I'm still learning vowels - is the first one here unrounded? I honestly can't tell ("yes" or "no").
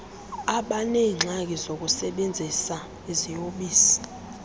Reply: yes